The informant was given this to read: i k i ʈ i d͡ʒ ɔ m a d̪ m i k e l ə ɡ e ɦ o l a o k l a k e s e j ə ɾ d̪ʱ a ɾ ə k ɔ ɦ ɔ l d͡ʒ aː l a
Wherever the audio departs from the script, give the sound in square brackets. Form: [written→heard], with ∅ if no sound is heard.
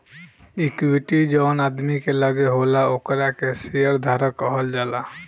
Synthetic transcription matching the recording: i k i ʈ i d͡ʒ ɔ [m→n] a d̪ m i k e l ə ɡ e ɦ o l a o k [l→ɾ] a k e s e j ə ɾ d̪ʱ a ɾ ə k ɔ ɦ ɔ l d͡ʒ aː l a